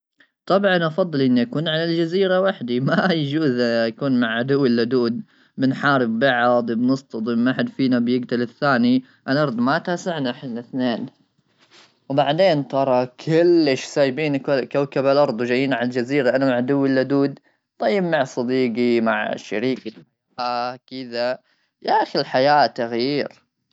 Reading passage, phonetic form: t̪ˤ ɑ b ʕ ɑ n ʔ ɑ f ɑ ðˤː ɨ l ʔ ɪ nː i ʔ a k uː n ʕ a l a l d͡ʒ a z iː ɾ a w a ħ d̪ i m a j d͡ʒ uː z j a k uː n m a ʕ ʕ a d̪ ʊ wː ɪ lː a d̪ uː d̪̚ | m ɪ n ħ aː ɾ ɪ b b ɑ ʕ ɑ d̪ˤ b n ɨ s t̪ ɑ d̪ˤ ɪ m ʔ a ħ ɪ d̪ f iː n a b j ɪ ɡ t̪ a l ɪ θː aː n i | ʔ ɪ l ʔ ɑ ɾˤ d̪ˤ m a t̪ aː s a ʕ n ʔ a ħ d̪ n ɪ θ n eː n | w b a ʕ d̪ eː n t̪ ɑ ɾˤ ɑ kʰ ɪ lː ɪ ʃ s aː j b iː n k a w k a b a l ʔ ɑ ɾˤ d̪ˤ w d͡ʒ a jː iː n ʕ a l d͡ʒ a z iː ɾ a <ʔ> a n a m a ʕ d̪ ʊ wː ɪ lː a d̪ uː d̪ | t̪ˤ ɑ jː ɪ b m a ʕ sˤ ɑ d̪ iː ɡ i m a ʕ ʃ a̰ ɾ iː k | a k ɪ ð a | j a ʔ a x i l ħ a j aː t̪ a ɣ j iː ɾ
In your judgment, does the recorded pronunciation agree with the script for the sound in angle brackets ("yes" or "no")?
yes